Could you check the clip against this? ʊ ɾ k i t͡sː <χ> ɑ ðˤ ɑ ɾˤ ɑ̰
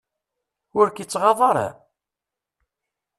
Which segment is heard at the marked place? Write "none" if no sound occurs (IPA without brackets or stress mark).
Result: ʁ